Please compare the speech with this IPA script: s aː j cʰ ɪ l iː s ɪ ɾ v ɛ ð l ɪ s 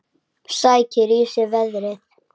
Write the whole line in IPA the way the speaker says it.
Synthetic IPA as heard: s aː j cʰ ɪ ɾ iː s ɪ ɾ v ɛ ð ɾ ɪ θ